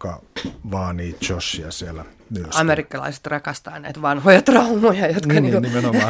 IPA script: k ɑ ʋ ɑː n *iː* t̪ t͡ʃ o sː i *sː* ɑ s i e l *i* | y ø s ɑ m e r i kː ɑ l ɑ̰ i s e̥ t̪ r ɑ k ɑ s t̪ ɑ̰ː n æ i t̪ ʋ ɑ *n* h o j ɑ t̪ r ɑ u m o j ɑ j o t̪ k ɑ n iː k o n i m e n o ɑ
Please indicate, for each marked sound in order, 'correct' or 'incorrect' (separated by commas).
correct, incorrect, incorrect, correct